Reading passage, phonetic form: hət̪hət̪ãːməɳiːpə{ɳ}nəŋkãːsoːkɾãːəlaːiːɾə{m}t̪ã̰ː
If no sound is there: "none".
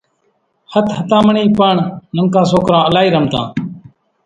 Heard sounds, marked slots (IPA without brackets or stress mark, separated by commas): ɳ, m